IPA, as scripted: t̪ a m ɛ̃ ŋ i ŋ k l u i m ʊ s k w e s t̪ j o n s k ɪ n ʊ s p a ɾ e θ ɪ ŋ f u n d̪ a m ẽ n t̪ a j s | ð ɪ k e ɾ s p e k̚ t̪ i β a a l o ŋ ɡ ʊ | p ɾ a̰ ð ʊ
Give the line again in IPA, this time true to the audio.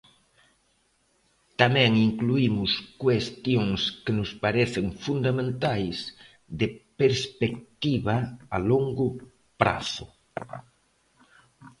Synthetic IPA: t̪ a m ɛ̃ ŋ i ŋ k l u i m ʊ s k w e s t̪ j o ŋ s k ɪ n ʊ s p a ɾ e θ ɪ ŋ f u n d̪ a m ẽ n t̪ a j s | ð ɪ p e ɾ s p e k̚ t̪ i β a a l o ŋ ɡ ʊ | p ɾ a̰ θ ʊ